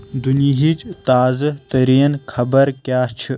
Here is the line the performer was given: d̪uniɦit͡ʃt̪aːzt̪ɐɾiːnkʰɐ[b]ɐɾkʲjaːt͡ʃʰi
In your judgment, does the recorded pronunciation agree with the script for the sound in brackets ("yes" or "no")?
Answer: yes